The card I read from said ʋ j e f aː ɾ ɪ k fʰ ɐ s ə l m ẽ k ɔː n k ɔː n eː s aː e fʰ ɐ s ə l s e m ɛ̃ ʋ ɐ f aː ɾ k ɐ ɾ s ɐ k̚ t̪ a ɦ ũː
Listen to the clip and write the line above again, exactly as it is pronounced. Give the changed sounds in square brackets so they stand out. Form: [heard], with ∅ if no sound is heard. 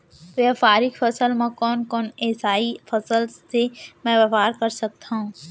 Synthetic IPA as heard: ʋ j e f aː ɾ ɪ k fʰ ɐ s ə l m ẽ k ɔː n k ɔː n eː s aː [i] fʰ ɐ s ə l s e m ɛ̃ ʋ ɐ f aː ɾ k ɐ ɾ s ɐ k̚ t̪ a ɦ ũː